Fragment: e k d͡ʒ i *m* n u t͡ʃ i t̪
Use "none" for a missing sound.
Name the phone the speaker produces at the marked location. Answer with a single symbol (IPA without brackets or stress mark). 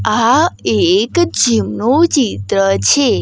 m